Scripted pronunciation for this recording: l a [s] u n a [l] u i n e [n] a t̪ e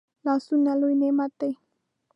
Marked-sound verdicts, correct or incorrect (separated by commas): correct, correct, incorrect